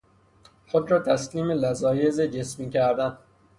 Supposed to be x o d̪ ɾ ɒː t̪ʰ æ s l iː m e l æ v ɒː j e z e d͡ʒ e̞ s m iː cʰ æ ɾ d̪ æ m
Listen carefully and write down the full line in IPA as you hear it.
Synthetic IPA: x o d̪ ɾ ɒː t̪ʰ æ s l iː m e l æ z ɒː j e z e d͡ʒ e̞ s m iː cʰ æ ɾ d̪ æ n